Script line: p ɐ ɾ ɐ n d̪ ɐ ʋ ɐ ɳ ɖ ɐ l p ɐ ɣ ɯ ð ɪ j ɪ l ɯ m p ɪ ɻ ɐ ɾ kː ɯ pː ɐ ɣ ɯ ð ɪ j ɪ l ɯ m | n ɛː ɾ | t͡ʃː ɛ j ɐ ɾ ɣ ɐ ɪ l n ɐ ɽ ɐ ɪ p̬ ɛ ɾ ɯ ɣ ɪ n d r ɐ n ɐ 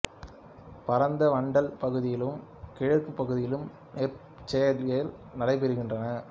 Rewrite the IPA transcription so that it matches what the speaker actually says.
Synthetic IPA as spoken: p ɐ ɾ ɐ n d̪ ɐ ʋ ɐ ɳ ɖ ɐ l p ɐ ɣ ɯ ð ɪ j ɪ l ɯ m k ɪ ɻ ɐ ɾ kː ɯ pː ɐ ɣ ɯ ð ɪ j ɪ l ɯ m | n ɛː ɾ | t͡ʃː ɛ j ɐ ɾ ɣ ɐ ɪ l n ɐ ɽ ɐ ɪ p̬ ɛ ɾ ɯ ɣ ɪ n d r ɐ n ɐ